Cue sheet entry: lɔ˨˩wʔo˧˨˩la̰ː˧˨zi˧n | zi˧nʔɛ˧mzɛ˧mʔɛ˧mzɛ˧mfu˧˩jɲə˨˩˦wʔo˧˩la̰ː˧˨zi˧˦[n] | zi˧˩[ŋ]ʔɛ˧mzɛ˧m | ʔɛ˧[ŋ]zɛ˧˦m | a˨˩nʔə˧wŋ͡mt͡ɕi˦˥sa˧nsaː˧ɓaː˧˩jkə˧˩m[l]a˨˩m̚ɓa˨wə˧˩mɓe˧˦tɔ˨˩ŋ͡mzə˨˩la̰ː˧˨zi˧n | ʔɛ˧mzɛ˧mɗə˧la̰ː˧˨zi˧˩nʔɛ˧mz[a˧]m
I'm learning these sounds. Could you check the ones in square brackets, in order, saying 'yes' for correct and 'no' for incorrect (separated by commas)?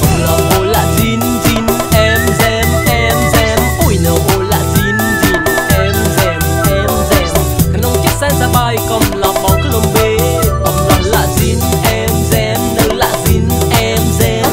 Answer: yes, no, no, yes, no